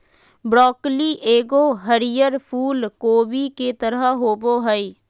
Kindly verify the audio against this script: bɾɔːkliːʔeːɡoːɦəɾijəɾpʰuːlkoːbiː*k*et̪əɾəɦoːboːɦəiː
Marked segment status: correct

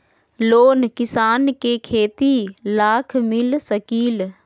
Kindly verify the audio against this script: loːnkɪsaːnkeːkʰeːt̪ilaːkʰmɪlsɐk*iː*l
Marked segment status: correct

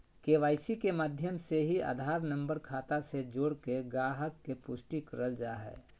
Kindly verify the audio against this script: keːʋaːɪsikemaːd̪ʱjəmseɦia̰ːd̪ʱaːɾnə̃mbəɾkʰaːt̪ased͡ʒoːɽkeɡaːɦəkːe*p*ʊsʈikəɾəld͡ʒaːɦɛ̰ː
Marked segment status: correct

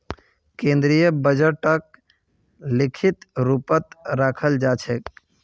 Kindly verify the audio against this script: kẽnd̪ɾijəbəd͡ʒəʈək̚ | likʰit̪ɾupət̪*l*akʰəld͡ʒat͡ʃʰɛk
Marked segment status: incorrect: ɾ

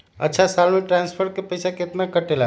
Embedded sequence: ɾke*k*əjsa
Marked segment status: incorrect: p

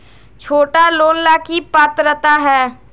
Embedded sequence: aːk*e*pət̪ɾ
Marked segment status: incorrect: i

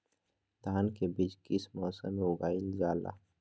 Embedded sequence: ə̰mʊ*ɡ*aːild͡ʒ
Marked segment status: correct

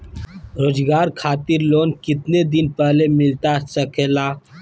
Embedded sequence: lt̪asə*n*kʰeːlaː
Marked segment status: incorrect: none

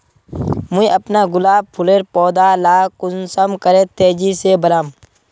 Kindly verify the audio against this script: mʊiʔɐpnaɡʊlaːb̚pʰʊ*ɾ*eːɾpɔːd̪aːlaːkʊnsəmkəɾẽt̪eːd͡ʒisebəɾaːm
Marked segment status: incorrect: l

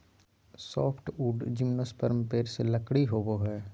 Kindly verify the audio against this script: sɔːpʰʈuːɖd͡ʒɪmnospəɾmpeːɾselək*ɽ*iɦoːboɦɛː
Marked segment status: correct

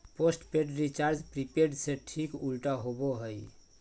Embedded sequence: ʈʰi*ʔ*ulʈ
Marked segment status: incorrect: k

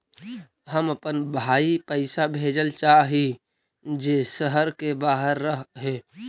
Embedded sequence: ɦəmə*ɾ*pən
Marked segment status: incorrect: none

